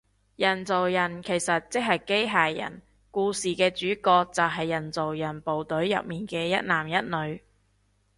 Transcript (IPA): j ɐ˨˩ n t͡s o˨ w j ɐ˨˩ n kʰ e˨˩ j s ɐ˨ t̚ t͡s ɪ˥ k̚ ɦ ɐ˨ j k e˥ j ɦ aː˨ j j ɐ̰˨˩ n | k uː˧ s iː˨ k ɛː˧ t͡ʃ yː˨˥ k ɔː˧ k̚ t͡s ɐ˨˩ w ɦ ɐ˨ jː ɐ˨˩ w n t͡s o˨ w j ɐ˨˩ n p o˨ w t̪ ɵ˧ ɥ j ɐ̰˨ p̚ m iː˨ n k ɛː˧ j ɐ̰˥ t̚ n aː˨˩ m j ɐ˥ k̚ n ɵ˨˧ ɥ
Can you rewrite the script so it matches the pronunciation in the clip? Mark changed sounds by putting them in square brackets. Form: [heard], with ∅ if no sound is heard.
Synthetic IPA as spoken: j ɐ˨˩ n t͡s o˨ w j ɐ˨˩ n kʰ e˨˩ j s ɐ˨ t̚ t͡s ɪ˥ k̚ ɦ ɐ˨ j k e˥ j ɦ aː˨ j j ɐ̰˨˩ n | k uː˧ s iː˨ k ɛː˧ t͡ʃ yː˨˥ k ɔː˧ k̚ t͡s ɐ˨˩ w ɦ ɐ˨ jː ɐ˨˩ [∅] n t͡s o˨ w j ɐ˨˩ n p o˨ w t̪ [ɵ˨˥] ɥ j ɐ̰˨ p̚ m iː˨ n k ɛː˧ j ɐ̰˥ t̚ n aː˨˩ m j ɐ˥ [t̚] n ɵ˨˧ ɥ